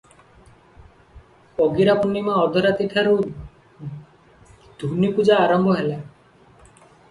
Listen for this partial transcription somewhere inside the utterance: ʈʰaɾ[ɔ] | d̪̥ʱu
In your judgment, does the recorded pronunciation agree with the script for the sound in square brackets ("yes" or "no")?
no